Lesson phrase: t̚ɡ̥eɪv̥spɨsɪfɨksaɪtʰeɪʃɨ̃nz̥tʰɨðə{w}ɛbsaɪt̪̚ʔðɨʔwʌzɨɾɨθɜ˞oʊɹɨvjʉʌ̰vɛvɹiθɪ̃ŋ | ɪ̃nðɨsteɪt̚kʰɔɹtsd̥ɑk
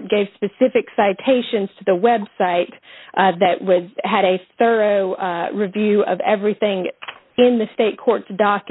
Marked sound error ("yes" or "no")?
no